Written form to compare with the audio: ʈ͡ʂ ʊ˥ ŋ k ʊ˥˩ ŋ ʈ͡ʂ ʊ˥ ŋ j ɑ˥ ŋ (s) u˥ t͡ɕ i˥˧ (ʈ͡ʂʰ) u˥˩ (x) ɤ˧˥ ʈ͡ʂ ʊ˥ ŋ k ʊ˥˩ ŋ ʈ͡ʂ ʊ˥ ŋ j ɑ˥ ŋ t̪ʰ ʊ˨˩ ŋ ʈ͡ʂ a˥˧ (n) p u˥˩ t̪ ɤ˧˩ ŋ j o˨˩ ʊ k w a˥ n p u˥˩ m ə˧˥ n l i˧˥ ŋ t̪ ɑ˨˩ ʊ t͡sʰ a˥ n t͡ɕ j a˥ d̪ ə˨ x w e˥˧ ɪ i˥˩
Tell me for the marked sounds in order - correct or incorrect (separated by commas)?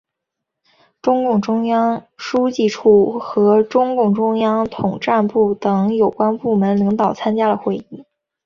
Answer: incorrect, correct, correct, correct